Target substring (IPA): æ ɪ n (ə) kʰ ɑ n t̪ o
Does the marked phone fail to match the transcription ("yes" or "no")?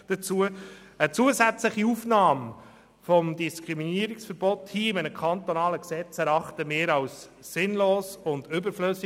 no